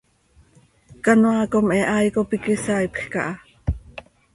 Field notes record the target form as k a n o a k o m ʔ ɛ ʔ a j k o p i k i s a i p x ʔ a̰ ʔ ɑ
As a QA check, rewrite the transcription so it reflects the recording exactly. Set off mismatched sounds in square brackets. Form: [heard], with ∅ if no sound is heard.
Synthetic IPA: k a n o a k o m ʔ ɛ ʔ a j k o p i k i s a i p x [k] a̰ ʔ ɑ